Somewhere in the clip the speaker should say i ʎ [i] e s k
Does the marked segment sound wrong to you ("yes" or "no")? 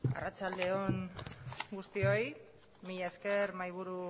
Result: yes